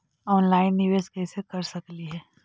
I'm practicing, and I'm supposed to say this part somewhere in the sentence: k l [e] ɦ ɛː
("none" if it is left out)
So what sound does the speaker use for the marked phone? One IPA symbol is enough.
i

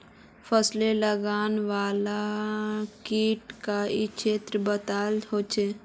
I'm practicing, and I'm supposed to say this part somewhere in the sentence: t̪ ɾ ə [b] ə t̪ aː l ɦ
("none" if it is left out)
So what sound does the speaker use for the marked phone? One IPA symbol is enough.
b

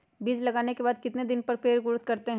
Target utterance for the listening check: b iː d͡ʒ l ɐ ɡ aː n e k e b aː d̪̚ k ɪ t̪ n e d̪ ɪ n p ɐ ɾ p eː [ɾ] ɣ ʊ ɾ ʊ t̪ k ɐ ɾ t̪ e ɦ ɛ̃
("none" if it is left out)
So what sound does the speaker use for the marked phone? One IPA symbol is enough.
ɾ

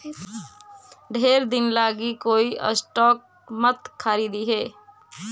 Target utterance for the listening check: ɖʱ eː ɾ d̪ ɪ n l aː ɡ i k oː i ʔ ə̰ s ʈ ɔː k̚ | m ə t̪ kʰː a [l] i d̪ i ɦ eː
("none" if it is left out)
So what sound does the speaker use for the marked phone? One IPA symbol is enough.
ɾ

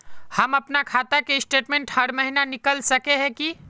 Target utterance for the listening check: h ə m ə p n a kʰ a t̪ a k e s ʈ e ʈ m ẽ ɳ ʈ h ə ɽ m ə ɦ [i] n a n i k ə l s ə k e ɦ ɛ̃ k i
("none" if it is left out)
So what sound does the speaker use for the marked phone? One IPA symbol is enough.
i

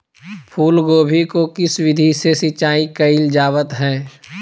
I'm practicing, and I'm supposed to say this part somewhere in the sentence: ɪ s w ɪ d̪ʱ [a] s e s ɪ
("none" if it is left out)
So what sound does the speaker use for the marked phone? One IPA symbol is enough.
i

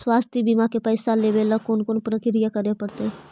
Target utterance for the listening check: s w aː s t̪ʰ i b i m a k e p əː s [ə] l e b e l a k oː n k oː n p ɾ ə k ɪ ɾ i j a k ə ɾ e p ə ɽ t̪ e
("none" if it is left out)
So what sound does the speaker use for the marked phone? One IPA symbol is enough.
a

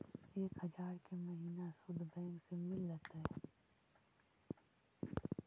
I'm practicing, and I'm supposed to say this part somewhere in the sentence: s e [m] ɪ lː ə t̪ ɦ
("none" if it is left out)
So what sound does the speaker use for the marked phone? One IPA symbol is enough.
m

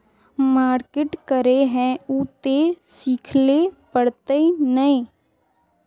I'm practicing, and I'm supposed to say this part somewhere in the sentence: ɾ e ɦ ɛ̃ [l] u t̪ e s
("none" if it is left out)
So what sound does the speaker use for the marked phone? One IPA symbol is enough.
none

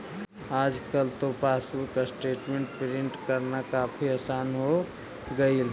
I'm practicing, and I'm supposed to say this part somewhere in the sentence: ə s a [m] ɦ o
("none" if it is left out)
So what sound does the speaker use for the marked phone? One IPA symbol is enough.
n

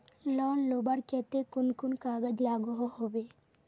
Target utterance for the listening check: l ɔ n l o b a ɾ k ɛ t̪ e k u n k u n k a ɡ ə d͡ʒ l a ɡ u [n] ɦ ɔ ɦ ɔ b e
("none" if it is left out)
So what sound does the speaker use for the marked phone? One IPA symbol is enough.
none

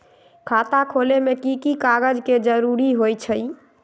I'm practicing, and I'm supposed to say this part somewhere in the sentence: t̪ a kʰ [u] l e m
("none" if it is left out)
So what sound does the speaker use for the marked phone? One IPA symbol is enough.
o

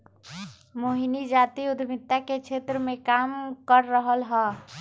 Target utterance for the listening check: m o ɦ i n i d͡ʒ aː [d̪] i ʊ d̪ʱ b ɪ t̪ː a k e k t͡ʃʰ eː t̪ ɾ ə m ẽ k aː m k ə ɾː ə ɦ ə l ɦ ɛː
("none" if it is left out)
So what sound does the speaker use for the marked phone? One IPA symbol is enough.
t̪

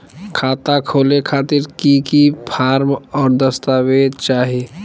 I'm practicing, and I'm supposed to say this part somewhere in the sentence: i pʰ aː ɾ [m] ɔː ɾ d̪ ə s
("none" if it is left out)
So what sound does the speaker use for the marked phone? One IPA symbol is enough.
m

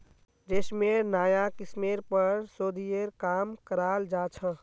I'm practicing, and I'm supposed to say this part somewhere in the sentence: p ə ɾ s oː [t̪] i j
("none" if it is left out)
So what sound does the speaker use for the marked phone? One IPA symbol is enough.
d̪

